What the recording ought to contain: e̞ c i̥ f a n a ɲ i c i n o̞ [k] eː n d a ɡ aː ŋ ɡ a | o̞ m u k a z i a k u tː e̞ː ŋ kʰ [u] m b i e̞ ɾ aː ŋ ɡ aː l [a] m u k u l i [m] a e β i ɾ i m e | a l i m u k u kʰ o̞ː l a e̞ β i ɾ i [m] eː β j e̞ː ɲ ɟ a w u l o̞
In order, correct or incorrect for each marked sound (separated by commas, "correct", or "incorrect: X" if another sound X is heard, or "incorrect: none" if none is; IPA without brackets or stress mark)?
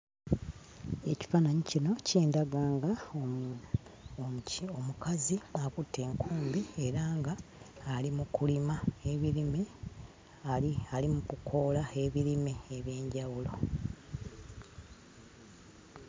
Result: incorrect: c, incorrect: uː, incorrect: i, correct, correct